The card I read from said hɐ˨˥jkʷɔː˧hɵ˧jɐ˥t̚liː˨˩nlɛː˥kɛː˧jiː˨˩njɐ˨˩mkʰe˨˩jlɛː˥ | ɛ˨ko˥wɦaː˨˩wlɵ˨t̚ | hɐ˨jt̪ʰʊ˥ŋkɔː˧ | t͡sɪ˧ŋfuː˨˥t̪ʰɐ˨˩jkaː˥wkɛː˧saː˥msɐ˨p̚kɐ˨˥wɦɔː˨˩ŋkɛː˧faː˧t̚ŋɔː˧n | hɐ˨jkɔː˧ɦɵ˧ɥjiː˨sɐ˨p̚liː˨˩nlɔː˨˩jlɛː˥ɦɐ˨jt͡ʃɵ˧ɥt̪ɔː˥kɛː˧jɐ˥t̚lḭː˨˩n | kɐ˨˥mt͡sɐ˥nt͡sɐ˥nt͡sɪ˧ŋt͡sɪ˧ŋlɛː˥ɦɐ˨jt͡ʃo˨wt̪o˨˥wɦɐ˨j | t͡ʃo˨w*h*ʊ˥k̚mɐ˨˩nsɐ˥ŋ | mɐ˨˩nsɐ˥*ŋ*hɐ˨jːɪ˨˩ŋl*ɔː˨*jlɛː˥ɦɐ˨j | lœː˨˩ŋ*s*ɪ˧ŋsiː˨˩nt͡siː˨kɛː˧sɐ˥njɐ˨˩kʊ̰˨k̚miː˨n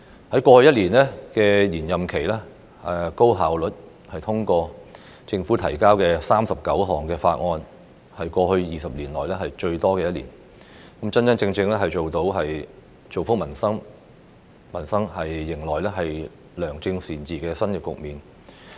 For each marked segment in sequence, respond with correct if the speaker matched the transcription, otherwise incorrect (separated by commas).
incorrect, correct, correct, incorrect